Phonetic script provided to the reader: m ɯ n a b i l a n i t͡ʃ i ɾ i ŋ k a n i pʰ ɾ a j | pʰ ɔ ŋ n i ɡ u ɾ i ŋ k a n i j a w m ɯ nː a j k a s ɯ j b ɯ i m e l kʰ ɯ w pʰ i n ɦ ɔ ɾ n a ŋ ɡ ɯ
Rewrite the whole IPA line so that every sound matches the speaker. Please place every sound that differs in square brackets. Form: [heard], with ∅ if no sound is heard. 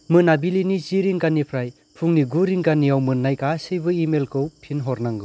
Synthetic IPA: m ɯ n a b i l [i] n i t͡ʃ i ɾ i ŋ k a n i pʰ ɾ a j | pʰ [u] ŋ n i ɡ u ɾ i ŋ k a n i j a w m ɯ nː a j k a s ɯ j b ɯ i m e l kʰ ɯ w pʰ i n ɦ ɔ ɾ n a ŋ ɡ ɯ